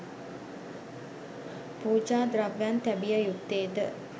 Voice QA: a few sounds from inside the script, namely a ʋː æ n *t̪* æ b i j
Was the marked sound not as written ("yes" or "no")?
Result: no